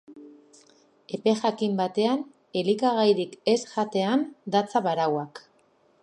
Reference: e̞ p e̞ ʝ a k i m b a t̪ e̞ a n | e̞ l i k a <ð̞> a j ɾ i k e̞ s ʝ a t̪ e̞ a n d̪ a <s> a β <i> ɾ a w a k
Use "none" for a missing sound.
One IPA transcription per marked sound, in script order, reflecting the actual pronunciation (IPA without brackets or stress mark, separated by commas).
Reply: ɣ̞, t͡s, a